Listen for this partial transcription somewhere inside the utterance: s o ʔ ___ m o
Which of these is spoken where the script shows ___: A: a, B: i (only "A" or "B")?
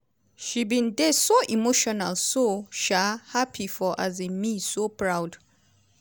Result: B